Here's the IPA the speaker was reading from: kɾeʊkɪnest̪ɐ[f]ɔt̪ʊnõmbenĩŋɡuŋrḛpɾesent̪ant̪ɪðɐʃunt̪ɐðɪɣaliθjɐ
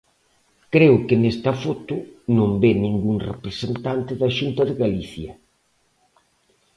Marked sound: correct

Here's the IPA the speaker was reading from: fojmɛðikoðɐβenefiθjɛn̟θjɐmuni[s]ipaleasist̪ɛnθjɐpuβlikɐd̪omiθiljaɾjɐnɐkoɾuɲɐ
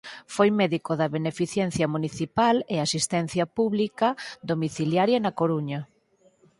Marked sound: incorrect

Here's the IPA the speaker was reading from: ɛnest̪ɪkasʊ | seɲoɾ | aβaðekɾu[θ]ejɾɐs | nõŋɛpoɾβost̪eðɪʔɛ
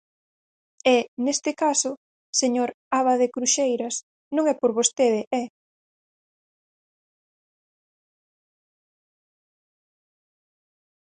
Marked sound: incorrect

